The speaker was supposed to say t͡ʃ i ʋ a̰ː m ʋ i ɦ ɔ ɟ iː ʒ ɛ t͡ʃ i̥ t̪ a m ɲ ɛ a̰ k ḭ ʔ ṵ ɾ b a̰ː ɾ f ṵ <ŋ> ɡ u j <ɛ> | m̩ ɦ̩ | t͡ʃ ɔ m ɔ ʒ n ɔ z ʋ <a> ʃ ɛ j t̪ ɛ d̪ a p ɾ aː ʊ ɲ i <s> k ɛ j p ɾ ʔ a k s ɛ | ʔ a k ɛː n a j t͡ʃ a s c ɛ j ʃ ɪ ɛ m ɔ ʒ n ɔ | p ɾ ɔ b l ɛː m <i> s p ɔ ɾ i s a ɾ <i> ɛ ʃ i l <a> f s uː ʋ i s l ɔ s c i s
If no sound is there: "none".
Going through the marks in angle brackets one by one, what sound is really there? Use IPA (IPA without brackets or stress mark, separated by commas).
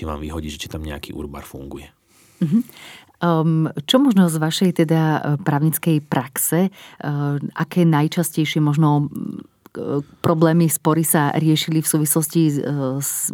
ŋ, ɛ, a, t͡s, i, ɪ, i